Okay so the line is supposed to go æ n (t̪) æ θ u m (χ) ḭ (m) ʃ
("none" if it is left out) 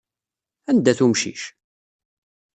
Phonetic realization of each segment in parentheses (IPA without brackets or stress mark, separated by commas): d̪, ʃ, none